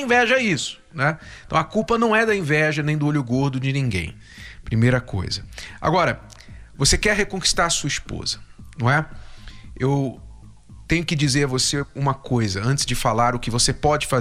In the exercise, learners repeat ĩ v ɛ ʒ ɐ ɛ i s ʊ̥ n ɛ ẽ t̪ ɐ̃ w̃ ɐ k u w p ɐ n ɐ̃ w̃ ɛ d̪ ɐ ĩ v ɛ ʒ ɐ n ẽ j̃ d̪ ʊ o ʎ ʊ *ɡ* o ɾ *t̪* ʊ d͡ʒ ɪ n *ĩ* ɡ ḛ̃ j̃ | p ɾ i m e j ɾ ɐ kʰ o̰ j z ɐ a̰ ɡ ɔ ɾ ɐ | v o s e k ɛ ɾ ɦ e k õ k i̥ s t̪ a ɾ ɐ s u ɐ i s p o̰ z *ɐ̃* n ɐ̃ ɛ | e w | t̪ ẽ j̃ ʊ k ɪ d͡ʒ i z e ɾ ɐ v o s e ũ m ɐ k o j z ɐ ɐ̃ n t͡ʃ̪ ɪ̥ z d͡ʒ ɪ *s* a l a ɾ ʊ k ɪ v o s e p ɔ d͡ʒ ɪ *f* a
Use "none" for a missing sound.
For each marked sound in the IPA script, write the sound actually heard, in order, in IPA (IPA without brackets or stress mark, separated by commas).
ɡ, d̪, ĩ, ɐ, f, f